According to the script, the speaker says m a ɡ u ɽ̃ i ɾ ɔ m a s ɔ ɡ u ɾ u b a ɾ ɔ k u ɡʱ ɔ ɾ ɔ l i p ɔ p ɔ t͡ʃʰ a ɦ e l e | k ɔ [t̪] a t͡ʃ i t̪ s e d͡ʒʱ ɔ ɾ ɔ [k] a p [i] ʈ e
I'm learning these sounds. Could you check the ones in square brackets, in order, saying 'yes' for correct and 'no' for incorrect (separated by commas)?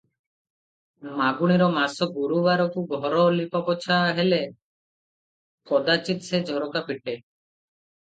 no, yes, yes